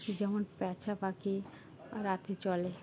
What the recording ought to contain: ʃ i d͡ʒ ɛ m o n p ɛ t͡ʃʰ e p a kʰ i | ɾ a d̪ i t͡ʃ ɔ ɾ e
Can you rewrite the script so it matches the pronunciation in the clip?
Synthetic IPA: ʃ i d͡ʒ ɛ m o n p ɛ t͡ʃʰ a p a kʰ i | ɾ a t̪ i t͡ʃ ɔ l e